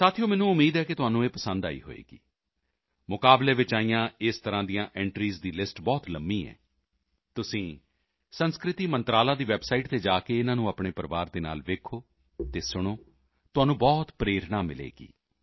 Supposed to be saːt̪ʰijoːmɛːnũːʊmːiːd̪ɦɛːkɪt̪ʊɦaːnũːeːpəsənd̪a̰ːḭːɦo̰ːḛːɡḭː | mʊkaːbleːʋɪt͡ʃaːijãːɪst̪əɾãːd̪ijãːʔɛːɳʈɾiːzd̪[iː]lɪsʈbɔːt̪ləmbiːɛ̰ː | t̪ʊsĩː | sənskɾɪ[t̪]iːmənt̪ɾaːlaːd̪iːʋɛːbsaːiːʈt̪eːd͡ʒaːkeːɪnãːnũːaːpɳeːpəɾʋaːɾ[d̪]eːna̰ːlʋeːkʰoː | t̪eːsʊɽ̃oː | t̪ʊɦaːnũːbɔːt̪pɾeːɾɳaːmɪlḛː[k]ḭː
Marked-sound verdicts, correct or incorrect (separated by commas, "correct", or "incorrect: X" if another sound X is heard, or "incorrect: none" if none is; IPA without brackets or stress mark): correct, correct, correct, incorrect: ɡ